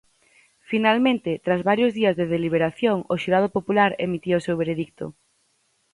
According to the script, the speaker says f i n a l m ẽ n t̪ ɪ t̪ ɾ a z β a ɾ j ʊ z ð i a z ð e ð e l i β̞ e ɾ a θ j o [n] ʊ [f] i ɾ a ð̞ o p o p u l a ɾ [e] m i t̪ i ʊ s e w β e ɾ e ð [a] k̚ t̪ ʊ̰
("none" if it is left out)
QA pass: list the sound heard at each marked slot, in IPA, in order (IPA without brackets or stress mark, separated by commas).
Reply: ŋ, ʃ, e, i